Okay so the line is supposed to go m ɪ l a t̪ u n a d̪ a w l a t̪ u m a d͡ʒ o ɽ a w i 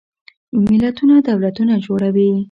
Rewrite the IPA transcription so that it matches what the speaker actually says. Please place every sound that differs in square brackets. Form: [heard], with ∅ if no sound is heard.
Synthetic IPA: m ɪ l a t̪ u n a d̪ a w l a t̪ u [n] a d͡ʒ o ɽ a w i